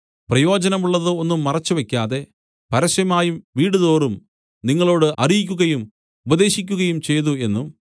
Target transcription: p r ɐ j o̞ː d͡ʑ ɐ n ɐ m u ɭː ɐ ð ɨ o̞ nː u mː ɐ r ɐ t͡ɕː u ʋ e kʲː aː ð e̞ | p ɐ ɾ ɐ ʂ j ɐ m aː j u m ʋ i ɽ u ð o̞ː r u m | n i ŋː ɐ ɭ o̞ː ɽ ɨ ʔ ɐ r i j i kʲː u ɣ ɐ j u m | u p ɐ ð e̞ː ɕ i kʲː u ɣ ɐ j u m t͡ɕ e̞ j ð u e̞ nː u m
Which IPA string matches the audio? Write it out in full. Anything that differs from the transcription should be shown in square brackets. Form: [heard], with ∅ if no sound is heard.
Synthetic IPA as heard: p r ɐ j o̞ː d͡ʑ ɐ n ɐ m u ɭː ɐ ð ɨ o̞ nː u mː ɐ r ɐ t͡ɕː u ʋ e kʲː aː ð e̞ | p ɐ ɾ ɐ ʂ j ɐ m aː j u m ʋ [iː] ɽ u ð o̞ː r u m | n i ŋː ɐ ɭ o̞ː ɽ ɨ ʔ ɐ r i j i kʲː u ɣ ɐ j u m | u [b] ɐ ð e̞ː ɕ i kʲː u ɣ ɐ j u m t͡ɕ e̞ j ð u e̞ nː u m